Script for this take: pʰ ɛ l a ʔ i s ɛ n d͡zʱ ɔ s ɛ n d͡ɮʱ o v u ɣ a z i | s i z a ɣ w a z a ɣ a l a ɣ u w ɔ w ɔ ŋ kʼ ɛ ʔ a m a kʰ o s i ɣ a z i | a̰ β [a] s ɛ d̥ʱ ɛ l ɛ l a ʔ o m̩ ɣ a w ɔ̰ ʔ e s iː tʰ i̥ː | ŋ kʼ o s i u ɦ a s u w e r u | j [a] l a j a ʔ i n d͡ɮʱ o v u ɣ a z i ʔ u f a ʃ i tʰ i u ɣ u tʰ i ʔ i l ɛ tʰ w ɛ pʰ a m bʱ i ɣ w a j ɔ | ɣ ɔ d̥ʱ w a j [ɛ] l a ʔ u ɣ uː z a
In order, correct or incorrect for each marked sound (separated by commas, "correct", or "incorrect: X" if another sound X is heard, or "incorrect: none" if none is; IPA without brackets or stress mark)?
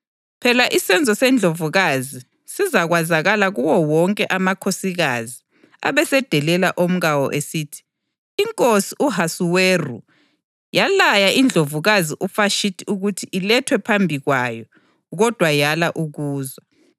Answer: incorrect: ɛ, correct, incorrect: a